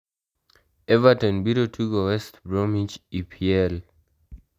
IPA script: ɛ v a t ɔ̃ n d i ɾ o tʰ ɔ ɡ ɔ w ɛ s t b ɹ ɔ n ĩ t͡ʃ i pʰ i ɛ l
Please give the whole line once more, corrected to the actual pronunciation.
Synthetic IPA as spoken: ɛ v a t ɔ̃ n b i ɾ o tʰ u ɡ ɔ w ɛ s t b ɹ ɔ m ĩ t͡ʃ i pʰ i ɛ l